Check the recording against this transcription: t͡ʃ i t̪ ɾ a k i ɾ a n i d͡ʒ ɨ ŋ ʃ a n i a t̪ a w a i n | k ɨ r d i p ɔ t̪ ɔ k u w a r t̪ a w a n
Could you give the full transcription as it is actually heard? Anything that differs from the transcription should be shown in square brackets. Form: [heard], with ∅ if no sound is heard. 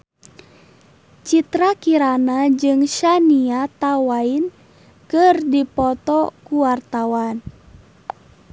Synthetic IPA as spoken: t͡ʃ i t̪ ɾ a k i ɾ a n [a] d͡ʒ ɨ ŋ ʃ a n i a t̪ a w a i n | k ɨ r d i p ɔ t̪ ɔ k u w a r t̪ a w a n